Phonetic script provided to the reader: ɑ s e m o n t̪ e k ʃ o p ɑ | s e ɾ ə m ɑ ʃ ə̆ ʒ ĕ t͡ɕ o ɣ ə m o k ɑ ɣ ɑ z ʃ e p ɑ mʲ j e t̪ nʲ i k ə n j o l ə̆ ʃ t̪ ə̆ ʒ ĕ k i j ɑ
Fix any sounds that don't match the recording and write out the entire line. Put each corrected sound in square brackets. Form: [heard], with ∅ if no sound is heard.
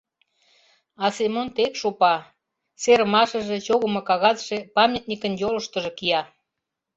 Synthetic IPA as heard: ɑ s e m o n t̪ e k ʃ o p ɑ | s e ɾ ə m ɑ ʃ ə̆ ʒ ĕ t͡ɕ o ɣ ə m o k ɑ ɣ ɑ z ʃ e p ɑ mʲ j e t̪ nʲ i k ə n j o l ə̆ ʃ t̪ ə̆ ʒ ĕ k i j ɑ